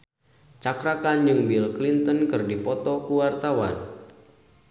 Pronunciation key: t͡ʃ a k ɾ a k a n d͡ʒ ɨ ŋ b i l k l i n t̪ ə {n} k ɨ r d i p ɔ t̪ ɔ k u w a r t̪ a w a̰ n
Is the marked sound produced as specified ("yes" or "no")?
yes